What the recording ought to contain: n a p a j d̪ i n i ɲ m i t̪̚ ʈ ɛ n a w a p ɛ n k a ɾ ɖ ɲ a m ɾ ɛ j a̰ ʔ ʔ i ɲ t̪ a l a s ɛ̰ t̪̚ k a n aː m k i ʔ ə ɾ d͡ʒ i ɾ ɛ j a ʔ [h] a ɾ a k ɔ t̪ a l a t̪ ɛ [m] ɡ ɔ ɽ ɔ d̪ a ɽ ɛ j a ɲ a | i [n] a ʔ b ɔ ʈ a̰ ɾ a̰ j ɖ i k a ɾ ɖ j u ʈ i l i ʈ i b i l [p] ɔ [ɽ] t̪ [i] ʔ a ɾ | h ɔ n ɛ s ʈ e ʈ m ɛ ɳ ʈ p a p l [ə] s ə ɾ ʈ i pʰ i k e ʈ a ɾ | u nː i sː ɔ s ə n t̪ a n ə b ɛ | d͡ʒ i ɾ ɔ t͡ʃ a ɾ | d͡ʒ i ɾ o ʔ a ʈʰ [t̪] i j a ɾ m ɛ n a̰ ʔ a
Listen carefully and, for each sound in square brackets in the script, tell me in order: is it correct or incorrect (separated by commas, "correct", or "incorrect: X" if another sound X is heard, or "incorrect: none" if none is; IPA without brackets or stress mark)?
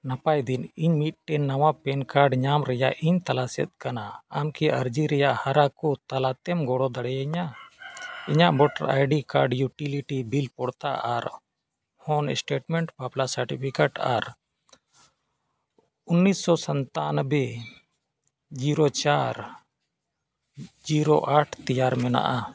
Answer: correct, correct, incorrect: ɲ, correct, correct, incorrect: a, incorrect: a, correct